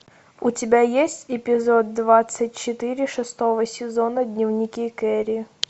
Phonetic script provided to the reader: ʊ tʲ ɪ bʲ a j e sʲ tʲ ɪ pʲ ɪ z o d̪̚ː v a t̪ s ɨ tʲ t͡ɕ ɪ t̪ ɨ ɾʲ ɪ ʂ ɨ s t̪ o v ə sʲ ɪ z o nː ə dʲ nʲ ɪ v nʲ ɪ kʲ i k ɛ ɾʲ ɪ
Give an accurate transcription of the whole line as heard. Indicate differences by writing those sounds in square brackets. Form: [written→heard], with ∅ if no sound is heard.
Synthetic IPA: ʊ tʲ ɪ bʲ a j e sʲ tʲ ɪ pʲ ɪ z o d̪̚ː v a t̪ s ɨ tʲ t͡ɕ ɪ t̪ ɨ ɾʲ ɪ ʂ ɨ s t̪ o v ə sʲ ɪ z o [nː→n] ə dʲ nʲ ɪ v nʲ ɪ kʲ i k ɛ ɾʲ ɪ